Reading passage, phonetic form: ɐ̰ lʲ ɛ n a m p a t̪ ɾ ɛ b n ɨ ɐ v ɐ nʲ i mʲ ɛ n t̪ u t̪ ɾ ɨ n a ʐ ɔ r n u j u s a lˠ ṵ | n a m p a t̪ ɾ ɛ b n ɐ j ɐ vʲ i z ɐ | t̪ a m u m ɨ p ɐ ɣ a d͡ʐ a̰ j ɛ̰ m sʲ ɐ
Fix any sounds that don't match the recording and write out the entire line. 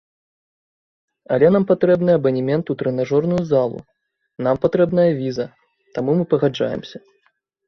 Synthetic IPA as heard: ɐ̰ lʲ ɛ n a m p a t̪ ɾ ɛ b n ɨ ɐ b ɐ nʲ i mʲ ɛ n t̪ u t̪ ɾ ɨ n a ʐ ɔ r n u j u z a lˠ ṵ | n a m p a t̪ ɾ ɛ b n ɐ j ɐ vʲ i z ɐ | t̪ a m u m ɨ p ɐ ɣ a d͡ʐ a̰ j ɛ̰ m sʲ ɐ